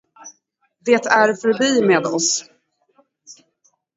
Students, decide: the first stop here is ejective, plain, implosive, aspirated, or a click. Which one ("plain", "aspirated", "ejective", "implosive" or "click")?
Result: plain